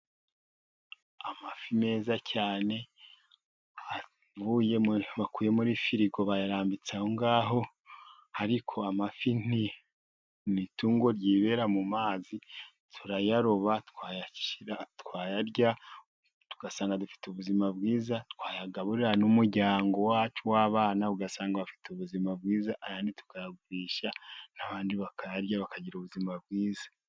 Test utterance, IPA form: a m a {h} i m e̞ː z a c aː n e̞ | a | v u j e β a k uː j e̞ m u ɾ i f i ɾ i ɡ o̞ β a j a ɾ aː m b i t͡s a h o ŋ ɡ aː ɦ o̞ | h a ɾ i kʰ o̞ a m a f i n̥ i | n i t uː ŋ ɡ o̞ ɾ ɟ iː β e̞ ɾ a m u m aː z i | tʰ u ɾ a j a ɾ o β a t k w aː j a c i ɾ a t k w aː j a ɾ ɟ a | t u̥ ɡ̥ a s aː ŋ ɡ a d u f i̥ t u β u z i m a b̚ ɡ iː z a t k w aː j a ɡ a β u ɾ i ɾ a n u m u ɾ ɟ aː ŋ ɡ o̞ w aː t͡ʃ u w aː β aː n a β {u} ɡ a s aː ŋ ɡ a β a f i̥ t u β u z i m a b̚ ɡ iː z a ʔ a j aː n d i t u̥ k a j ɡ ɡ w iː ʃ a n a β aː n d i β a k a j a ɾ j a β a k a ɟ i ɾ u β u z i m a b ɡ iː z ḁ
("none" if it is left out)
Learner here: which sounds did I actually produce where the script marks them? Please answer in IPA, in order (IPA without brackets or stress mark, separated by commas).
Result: f, u